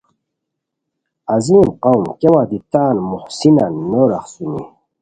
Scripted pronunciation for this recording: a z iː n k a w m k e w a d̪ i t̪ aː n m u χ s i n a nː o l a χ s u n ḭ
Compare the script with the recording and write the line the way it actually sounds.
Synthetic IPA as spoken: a z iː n q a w m k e w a d̪ i t̪ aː n m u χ s i n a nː o ɾ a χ s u n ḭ